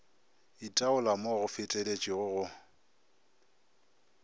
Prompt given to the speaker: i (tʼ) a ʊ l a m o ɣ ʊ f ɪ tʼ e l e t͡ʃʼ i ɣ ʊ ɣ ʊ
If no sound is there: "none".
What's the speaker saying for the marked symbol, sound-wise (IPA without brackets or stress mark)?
tʼ